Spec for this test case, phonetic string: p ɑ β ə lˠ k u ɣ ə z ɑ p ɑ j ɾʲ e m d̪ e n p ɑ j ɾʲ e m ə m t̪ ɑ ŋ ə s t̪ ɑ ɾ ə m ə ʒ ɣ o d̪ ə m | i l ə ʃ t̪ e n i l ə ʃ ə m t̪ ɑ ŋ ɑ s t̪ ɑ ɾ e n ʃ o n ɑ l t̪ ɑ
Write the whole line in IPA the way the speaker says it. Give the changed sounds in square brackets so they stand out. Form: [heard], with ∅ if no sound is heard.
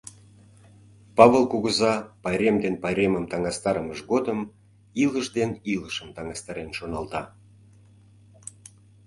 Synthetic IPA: p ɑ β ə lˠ k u ɣ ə z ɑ p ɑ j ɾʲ e m d̪ e n p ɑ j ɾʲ e m ə m t̪ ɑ ŋ [ɑ] s t̪ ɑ ɾ ə m ə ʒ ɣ o d̪ ə m | i l ə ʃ [d̪] e n i l ə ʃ ə m t̪ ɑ ŋ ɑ s t̪ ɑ ɾ e n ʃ o n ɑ l t̪ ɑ